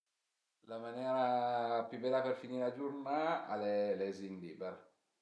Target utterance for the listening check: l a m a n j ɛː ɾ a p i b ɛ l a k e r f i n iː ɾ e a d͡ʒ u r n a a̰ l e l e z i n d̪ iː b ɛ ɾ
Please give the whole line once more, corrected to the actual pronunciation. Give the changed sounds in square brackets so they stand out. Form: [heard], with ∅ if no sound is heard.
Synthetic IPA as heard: l a m a n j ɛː ɾ a p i b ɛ l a [p] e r f i n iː ɾ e a d͡ʒ u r n a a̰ l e l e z i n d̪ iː b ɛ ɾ